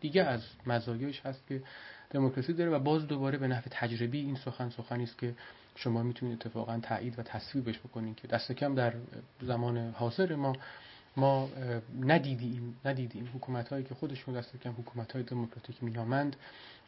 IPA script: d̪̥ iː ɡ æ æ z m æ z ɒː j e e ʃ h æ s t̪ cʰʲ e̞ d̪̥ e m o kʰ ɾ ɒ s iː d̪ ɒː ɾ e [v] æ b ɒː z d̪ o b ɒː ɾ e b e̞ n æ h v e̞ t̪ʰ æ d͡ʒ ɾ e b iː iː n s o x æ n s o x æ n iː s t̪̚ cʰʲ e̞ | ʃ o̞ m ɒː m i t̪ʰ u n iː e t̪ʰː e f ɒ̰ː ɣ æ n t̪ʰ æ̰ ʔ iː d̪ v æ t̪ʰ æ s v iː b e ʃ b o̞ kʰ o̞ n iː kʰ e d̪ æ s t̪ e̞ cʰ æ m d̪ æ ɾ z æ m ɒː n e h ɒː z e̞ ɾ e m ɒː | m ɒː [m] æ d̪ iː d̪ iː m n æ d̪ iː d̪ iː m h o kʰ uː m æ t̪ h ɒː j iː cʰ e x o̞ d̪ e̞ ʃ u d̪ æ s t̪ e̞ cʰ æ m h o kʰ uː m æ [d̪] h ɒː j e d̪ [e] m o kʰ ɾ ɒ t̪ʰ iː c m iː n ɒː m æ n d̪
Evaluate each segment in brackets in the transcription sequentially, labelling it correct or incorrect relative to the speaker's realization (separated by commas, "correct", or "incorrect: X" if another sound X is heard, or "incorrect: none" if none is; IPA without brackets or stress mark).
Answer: correct, incorrect: n, incorrect: t̪, correct